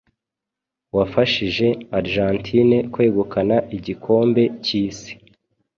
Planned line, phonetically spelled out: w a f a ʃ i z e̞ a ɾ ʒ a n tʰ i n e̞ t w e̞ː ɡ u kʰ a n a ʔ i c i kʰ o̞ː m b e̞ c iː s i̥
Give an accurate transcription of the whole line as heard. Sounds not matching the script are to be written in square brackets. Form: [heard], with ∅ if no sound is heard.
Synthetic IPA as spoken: w a f a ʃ i [ʒ] e̞ a ɾ ʒ a n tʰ i n e̞ [k] w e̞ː ɡ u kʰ a n a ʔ i [ɟ] i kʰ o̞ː m b e̞ c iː s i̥